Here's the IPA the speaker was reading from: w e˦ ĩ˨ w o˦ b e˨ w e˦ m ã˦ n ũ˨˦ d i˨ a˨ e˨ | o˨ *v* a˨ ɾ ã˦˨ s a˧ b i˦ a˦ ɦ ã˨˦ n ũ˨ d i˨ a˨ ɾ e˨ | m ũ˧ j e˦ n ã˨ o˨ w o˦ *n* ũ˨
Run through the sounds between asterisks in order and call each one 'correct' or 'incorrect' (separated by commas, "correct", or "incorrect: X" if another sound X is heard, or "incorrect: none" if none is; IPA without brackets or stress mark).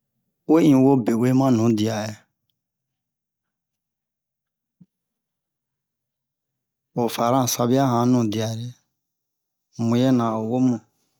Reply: incorrect: f, incorrect: m